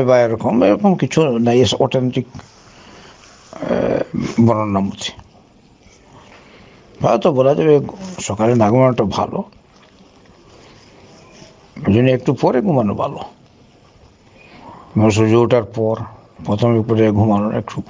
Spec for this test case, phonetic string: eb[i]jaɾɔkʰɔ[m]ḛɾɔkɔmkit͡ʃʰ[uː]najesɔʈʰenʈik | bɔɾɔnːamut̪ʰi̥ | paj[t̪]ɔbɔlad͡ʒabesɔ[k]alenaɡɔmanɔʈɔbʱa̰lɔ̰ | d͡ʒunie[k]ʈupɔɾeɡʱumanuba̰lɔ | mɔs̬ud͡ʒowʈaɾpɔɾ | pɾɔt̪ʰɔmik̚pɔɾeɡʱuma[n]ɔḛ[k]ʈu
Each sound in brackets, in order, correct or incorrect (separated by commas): incorrect, correct, incorrect, correct, correct, correct, correct, correct